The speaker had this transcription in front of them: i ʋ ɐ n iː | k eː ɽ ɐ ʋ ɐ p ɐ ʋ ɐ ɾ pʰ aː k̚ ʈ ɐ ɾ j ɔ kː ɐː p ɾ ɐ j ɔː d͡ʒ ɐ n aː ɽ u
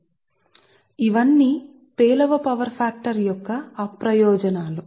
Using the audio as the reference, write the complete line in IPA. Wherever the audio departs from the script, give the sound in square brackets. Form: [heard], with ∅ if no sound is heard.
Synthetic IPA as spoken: i ʋ ɐ [nː] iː | [p] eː [l] ɐ ʋ ɐ p ɐ ʋ ɐ ɾ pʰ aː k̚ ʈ ɐ ɾ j ɔ kː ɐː p ɾ ɐ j ɔː d͡ʒ ɐ n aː [l] u